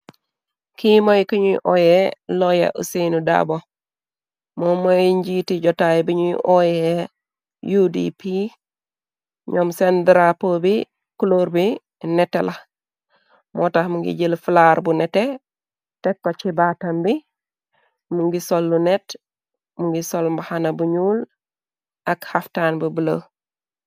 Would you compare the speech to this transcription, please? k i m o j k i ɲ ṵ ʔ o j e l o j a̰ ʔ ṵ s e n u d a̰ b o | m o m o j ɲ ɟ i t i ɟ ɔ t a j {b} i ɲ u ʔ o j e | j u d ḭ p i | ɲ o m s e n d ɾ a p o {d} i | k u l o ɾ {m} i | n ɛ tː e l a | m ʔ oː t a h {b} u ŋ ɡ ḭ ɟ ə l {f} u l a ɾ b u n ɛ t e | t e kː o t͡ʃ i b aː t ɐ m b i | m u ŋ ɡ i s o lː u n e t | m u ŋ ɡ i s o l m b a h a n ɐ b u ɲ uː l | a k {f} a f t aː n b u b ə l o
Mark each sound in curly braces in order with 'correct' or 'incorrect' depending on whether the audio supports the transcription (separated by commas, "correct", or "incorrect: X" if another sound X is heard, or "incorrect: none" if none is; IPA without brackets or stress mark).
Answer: correct, incorrect: b, incorrect: b, incorrect: m, correct, incorrect: h